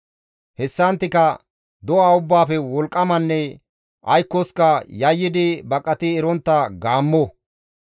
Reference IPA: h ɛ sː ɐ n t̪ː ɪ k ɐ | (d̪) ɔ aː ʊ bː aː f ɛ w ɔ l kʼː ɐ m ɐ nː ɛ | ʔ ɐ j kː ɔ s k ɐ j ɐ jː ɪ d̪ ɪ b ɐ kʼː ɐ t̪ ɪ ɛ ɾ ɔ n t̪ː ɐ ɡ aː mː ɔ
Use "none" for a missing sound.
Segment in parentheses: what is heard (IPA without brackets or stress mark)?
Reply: d̪